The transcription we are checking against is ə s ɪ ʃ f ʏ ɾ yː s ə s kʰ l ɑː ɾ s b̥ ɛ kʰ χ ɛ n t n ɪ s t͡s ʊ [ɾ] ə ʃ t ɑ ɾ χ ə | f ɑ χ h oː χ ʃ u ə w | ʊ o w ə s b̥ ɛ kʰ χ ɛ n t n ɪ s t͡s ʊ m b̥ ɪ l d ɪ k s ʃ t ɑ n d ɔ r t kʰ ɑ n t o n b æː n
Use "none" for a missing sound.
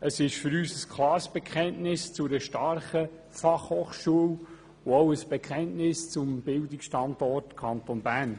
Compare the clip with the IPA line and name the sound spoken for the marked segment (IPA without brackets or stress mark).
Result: ɾ